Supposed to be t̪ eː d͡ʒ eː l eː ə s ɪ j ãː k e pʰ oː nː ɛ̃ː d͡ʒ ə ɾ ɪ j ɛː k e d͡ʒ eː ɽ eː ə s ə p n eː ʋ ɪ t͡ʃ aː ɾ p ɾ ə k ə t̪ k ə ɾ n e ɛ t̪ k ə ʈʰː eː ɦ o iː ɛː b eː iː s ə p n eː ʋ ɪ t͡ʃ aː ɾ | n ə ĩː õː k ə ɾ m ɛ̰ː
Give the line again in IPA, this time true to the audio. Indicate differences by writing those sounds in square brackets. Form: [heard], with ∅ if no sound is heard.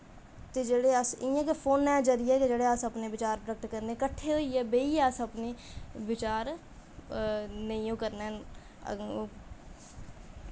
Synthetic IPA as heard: t̪ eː d͡ʒ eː [ɽ] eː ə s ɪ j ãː k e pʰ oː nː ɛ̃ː d͡ʒ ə ɾ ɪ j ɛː k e d͡ʒ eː ɽ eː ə s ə p n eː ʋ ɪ t͡ʃ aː ɾ p ɾ ə k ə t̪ k ə ɾ n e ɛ [∅] k ə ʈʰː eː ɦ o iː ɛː b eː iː s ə p n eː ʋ ɪ t͡ʃ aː ɾ | n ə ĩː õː k ə ɾ [n] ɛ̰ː